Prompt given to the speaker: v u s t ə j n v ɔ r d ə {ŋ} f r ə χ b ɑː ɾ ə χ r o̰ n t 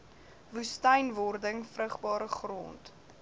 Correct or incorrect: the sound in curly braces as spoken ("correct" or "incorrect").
correct